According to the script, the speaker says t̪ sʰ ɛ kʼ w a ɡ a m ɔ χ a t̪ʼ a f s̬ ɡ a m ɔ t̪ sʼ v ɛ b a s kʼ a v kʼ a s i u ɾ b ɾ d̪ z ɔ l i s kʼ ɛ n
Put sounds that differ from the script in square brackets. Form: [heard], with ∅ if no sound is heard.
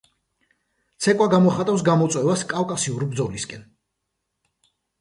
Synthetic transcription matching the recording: t̪ sʰ ɛ kʼ w a ɡ a m ɔ χ a t̪ʼ a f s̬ ɡ a m ɔ t̪ sʼ [w] ɛ [v] a s kʼ a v kʼ a s i u ɾ b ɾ d̪ z ɔ l i s kʼ ɛ n